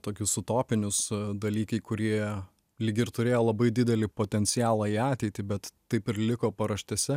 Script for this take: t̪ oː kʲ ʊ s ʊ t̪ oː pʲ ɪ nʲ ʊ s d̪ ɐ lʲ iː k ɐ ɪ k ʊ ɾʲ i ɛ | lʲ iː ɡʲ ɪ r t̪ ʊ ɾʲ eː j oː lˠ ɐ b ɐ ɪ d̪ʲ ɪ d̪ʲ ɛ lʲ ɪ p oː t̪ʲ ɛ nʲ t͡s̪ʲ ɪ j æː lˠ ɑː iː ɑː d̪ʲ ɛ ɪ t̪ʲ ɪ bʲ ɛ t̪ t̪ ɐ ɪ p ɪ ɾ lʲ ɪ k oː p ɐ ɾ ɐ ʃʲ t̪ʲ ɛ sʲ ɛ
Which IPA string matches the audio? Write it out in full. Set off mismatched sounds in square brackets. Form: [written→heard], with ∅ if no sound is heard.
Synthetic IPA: t̪ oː kʲ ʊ s ʊ t̪ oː pʲ ɪ nʲ ʊ s d̪ ɐ lʲ iː k ɐ ɪ k ʊ ɾʲ i ɛ | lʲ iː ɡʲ ɪ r t̪ ʊ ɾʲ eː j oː lˠ ɐ b ɐ ɪ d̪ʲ ɪ d̪ʲ ɛ lʲ ɪ p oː t̪ʲ ɛ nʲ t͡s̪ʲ ɪ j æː lˠ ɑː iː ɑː [d̪ʲ→t̪ʲ] ɛ ɪ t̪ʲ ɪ bʲ ɛ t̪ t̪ ɐ ɪ p ɪ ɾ lʲ ɪ k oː p ɐ ɾ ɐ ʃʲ t̪ʲ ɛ sʲ ɛ

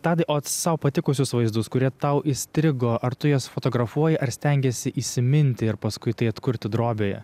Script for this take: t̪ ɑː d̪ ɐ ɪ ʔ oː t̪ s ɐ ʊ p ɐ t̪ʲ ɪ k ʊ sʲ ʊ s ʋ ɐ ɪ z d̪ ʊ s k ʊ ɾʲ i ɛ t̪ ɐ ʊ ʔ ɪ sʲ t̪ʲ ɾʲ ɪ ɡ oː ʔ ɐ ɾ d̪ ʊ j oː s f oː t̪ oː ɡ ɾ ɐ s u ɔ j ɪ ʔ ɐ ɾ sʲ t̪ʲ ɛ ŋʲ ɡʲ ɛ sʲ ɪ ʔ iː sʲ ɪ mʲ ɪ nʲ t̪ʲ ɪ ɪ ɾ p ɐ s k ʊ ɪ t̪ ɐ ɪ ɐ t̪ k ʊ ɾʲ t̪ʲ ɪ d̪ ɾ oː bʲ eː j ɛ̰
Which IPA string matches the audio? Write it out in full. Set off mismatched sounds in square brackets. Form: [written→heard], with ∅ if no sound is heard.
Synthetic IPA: t̪ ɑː d̪ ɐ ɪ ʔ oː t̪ s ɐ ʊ p ɐ t̪ʲ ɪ k ʊ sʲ ʊ s ʋ ɐ ɪ z d̪ ʊ s k ʊ ɾʲ i ɛ t̪ ɐ ʊ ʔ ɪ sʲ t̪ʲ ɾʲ ɪ ɡ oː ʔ ɐ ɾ [d̪→t̪] ʊ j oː s f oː t̪ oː ɡ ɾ ɐ [s→f] u ɔ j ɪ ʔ ɐ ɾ sʲ t̪ʲ ɛ ŋʲ ɡʲ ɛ sʲ ɪ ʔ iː sʲ ɪ mʲ ɪ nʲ t̪ʲ ɪ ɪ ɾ p ɐ s k ʊ ɪ t̪ ɐ ɪ ɐ t̪ k ʊ ɾʲ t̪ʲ ɪ d̪ ɾ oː bʲ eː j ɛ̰

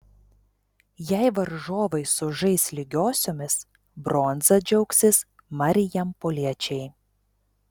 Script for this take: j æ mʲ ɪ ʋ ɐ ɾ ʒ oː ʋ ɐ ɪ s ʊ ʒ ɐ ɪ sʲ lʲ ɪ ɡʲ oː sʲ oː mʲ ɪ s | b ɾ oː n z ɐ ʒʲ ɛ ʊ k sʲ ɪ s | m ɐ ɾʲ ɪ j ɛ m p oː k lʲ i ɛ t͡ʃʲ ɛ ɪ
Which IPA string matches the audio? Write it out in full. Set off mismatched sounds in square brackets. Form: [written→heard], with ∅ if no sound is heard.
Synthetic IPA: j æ [mʲ→∅] ɪ ʋ ɐ ɾ ʒ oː ʋ ɐ ɪ s ʊ ʒ ɐ ɪ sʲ lʲ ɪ ɡʲ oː sʲ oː mʲ ɪ s | b ɾ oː n z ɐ [ʒʲ→d͡ʒʲ] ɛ ʊ k sʲ ɪ s | m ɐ ɾʲ ɪ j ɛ m p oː [k→∅] lʲ i ɛ t͡ʃʲ ɛ ɪ

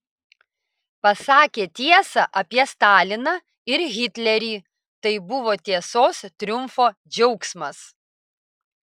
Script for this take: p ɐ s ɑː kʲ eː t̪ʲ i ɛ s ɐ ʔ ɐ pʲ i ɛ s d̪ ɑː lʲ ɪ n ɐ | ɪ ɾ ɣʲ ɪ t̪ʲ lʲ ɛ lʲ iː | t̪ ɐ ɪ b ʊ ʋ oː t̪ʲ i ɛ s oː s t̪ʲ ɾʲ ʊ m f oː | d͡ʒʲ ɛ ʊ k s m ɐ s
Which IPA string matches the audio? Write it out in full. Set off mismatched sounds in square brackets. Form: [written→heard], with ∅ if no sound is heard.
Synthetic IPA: p ɐ s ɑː kʲ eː t̪ʲ i ɛ s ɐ ʔ ɐ pʲ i ɛ s [d̪→t̪] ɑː lʲ ɪ n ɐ | ɪ ɾ ɣʲ ɪ t̪ʲ lʲ ɛ [lʲ→ɾʲ] iː | t̪ ɐ ɪ b ʊ ʋ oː t̪ʲ i ɛ s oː s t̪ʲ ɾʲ ʊ m f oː | d͡ʒʲ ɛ ʊ k s m ɐ s

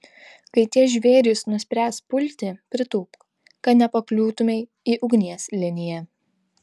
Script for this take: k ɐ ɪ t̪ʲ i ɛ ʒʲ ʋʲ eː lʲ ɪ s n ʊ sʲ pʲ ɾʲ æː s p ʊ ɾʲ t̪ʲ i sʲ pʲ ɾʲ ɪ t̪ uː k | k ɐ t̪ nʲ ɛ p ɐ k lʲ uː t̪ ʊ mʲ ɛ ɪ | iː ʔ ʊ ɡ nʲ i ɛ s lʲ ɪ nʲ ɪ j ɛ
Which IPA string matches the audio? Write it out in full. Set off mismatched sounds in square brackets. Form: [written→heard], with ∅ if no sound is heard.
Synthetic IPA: k ɐ ɪ t̪ʲ i ɛ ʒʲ ʋʲ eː [lʲ→ɾʲ] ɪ s n ʊ sʲ pʲ ɾʲ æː s p ʊ [ɾʲ→lʲ] t̪ʲ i [sʲ→∅] pʲ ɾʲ ɪ t̪ uː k | k ɐ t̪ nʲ ɛ p ɐ k lʲ uː t̪ ʊ mʲ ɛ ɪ | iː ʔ ʊ ɡ nʲ i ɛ s lʲ ɪ nʲ ɪ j ɛ

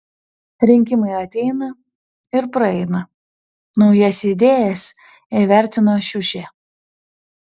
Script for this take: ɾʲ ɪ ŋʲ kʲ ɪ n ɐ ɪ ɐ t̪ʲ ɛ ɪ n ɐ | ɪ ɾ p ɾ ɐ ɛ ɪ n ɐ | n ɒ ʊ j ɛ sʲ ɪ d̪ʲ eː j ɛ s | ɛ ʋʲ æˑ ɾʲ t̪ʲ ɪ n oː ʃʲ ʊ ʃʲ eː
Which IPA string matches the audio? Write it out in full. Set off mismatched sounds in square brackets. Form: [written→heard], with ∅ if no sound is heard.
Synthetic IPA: ɾʲ ɪ ŋʲ kʲ ɪ [n→m] ɐ ɪ ɐ t̪ʲ ɛ ɪ n ɐ | ɪ ɾ p ɾ ɐ ɛ ɪ n ɐ | n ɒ ʊ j ɛ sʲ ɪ d̪ʲ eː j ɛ s | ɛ ʋʲ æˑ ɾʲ t̪ʲ ɪ n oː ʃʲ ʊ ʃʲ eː

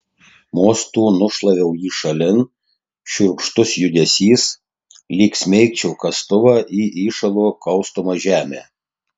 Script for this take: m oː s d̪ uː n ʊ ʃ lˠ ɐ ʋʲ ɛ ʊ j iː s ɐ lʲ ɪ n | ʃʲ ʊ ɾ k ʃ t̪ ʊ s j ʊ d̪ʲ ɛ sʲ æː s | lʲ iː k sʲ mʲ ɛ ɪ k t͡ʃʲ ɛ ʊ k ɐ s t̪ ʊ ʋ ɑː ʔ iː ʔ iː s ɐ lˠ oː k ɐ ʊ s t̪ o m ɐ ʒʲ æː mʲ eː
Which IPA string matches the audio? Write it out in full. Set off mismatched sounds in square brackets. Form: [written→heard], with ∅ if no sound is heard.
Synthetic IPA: m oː s [d̪→t̪] uː n ʊ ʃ lˠ ɐ ʋʲ ɛ ʊ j iː [s→ʃ] ɐ lʲ ɪ n | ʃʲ ʊ ɾ k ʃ t̪ ʊ s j ʊ d̪ʲ ɛ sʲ [æː→iː] s | lʲ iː k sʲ mʲ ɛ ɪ k t͡ʃʲ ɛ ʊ k ɐ s t̪ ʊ ʋ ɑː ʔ iː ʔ iː [s→ʃ] ɐ lˠ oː k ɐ ʊ s t̪ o m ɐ ʒʲ æː mʲ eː

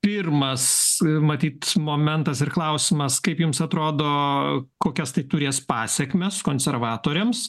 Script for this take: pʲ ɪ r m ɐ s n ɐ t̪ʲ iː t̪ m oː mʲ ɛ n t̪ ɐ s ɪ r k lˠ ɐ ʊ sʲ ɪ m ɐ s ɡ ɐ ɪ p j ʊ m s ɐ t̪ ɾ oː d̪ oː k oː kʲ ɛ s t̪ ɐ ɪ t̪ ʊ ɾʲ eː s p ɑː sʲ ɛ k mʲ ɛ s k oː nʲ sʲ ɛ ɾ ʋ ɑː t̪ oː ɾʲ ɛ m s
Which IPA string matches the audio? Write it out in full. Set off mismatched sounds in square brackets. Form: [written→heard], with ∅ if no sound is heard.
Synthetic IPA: pʲ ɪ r m ɐ s [n→m] ɐ t̪ʲ iː t̪ m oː mʲ ɛ n t̪ ɐ s ɪ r k lˠ ɐ ʊ sʲ ɪ m ɐ s [ɡ→k] ɐ ɪ p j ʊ m s ɐ t̪ ɾ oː d̪ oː k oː kʲ ɛ s t̪ ɐ ɪ t̪ ʊ ɾʲ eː s p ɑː sʲ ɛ k mʲ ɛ s k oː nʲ sʲ ɛ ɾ ʋ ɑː t̪ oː ɾʲ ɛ m s

